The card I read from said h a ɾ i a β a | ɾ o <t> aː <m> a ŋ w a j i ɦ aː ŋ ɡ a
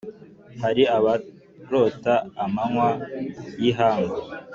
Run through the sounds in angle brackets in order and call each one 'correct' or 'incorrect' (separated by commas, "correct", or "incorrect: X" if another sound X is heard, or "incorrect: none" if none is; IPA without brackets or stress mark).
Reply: correct, correct